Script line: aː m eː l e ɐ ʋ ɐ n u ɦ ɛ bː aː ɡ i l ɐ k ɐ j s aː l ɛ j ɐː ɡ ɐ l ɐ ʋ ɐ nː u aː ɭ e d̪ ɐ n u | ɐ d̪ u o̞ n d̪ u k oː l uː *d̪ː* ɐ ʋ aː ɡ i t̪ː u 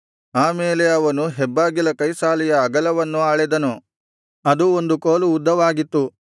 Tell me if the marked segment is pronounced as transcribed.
yes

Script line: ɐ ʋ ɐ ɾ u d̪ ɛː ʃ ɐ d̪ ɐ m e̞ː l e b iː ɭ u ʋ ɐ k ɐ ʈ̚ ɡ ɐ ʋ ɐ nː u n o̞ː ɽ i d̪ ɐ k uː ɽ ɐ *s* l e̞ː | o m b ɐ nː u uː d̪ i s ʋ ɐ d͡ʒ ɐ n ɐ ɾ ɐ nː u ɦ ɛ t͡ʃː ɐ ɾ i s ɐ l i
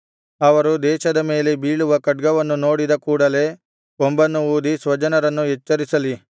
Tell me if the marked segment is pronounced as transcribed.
no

